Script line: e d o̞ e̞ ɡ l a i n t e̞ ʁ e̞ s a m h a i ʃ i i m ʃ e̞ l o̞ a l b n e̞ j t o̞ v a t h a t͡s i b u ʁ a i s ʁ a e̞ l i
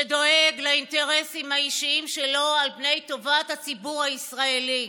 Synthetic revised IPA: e d o̞ e̞ ɡ l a i n t e̞ ʁ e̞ s i m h a i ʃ i i m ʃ e̞ l o̞ a l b n e̞ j t o̞ v a t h a t͡s i b u ʁ a i s ʁ a e̞ l i